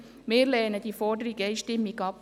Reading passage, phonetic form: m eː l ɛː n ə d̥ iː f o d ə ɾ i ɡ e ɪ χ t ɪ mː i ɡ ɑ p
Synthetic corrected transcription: m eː l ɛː n ə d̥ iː f ɔ d ə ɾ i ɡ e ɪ ʃ t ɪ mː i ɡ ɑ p